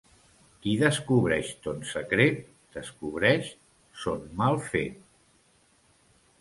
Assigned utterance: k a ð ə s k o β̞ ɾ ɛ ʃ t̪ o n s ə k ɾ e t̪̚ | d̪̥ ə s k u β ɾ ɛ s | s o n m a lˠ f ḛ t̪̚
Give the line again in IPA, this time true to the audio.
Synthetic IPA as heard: k i ð ə s k u β̞ ɾ ɛ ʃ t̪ o n s ə k ɾ e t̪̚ | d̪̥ ə s k u β ɾ ɛ ʃ | s o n m a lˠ f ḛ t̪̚

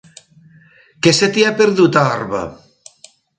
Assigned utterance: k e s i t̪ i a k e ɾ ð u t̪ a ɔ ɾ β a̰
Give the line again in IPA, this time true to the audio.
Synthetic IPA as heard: k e s e t̪ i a p e ɾ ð u t̪ a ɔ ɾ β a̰

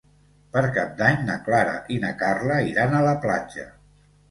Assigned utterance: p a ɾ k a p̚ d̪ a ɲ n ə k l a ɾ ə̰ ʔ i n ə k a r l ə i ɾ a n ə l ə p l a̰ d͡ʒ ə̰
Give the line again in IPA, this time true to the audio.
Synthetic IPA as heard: p ə ɾ k a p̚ d̪ a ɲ n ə k l a ɾ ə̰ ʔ i n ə k a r l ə i ɾ a n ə l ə p l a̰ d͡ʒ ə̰

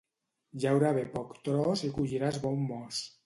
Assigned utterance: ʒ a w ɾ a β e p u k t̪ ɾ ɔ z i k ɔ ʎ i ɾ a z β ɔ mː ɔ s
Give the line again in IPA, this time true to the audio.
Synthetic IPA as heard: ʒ a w ɾ a β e p ɔ k t̪ ɾ ɔ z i k u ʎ i ɾ a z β ɔ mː ɔ s

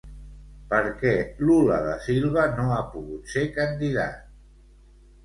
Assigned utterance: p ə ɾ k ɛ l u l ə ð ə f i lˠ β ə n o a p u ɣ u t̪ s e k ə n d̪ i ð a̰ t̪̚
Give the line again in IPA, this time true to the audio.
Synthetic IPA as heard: p ə ɾ k ɛ l u l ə ð ə s i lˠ β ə n o a p u ɣ u t̪ s e k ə n d̪ i ð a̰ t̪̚

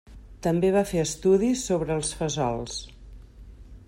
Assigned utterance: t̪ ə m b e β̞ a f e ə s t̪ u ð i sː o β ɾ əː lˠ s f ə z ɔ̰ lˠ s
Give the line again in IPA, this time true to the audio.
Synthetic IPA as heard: t̪ ə m b e β̞ a f e ə s t̪ u ð i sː o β ɾ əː lˠ s f ə z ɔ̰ lˠ s

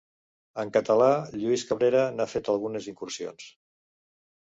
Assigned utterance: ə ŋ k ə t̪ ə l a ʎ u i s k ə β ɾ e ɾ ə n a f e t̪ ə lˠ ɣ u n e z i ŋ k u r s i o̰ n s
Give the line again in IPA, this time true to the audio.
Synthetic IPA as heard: ə ŋ k ə t̪ ə l a ʎ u i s k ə β ɾ e ɾ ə n a f e t̪ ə lˠ ɣ u n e z i ŋ k u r s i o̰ n s

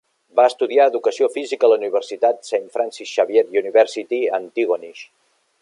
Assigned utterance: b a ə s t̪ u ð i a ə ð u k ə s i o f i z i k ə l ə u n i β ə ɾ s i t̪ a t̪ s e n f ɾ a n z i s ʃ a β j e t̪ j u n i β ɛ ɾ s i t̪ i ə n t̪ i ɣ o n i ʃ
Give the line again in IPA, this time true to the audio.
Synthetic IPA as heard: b a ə s t̪ u ð i a ə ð u k ə s i o f i z i k ə l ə u n i β ə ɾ s i t̪ a t̪ s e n f ɾ a n s i s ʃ a β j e t̪ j u n i β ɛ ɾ s i t̪ i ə n t̪ i ɣ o n i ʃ

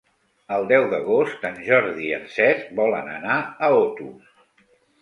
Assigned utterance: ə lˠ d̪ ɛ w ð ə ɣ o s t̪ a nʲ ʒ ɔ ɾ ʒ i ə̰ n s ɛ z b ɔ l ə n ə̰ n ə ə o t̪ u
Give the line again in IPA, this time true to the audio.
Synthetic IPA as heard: ə lˠ d̪ ɛ w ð ə ɣ o s t̪ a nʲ ʒ ɔ ɾ ð i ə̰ n s ɛ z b ɔ l ə n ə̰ n a ə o t̪ u

